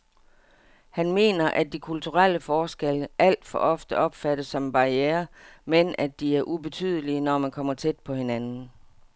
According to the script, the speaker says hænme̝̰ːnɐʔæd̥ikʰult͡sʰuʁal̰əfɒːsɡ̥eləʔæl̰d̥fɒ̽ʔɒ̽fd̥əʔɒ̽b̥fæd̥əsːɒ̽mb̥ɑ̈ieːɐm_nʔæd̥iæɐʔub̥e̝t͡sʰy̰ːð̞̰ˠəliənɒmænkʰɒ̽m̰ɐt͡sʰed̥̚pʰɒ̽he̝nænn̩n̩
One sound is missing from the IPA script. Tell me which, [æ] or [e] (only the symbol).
e